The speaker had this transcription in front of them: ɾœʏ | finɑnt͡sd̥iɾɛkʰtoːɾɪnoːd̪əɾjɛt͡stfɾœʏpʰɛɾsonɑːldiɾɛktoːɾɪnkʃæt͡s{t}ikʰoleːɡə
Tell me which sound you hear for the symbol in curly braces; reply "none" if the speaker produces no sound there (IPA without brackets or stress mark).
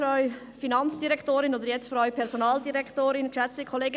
t